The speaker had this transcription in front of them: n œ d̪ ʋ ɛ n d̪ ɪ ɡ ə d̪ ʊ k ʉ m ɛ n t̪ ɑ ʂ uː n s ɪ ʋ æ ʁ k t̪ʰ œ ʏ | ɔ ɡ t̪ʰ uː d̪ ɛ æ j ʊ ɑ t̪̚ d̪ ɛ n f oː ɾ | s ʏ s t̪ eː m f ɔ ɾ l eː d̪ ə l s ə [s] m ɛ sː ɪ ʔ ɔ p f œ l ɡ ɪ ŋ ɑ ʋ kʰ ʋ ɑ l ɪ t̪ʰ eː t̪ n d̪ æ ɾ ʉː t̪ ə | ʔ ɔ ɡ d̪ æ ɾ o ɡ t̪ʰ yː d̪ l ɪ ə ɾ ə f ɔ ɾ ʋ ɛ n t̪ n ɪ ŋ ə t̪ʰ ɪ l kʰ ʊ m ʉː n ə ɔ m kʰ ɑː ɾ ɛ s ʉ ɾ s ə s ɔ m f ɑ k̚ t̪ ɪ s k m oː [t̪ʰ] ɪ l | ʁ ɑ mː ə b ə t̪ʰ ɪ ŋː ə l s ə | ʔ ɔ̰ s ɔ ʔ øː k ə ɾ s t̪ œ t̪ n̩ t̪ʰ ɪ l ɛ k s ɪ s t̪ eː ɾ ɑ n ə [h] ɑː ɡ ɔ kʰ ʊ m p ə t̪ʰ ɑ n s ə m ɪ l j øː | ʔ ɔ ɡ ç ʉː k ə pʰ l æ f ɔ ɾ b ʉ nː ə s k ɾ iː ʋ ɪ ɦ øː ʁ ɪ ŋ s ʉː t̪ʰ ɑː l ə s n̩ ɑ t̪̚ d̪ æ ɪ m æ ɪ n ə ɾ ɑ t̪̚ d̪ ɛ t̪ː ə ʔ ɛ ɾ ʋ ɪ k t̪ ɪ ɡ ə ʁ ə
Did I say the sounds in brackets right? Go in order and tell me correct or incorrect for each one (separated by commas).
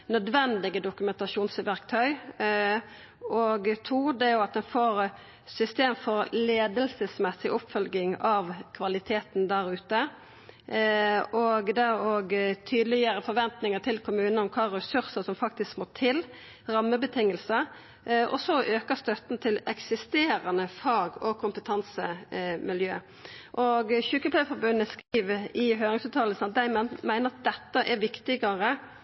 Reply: correct, correct, incorrect